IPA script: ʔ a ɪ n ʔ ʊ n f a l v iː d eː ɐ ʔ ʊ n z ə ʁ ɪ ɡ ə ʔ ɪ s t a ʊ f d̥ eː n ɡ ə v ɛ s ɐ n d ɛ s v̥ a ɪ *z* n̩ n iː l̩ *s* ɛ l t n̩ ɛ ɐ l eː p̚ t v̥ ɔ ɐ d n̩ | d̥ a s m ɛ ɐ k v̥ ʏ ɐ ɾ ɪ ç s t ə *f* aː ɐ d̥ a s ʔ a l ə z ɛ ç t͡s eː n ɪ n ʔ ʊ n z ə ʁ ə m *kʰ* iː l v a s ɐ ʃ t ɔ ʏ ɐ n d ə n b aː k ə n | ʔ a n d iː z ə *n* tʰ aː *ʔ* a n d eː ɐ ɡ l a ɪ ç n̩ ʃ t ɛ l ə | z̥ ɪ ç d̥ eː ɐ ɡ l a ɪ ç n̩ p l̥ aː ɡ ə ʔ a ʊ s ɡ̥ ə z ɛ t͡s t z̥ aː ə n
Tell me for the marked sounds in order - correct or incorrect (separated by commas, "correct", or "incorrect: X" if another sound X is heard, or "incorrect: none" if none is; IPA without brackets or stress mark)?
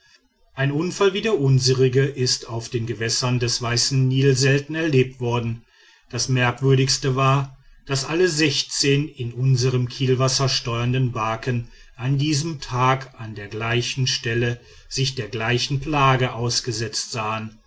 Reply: incorrect: s, incorrect: z, incorrect: v, correct, incorrect: m, incorrect: k